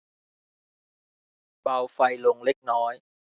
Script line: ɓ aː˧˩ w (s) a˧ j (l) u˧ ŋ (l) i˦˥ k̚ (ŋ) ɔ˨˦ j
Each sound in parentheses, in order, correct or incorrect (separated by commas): incorrect, correct, correct, incorrect